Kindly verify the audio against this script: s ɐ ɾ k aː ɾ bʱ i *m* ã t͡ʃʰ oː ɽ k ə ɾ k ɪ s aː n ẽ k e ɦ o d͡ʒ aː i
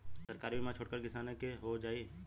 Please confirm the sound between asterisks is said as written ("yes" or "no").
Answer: yes